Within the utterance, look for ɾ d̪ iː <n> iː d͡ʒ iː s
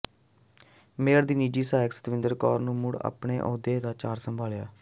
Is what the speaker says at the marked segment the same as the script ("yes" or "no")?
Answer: yes